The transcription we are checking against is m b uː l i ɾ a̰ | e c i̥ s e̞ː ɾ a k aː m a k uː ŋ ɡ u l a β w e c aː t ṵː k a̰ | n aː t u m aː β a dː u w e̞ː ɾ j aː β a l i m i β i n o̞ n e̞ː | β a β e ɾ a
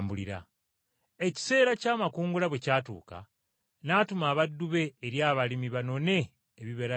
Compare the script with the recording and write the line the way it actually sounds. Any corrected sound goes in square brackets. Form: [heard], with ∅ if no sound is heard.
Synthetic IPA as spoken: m b [u] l i ɾ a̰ | e c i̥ s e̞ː ɾ a [c] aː m a k uː ŋ ɡ u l a β w e c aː t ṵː k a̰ | n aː t u m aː β a dː u [β] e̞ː ɾ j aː β a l i m i β [a] n o̞ n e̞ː | β [i] β e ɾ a